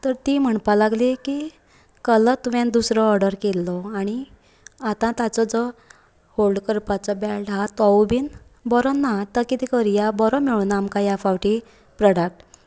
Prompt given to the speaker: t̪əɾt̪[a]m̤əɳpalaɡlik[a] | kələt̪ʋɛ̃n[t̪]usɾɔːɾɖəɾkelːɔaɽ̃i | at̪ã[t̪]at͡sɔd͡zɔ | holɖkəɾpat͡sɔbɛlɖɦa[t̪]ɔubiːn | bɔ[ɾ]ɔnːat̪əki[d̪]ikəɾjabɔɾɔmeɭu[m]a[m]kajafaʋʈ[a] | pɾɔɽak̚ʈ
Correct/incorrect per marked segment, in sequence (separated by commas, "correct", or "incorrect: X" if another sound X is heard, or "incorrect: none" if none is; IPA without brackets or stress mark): incorrect: i, incorrect: i, incorrect: d̪, correct, correct, correct, incorrect: t̪, incorrect: n, correct, incorrect: i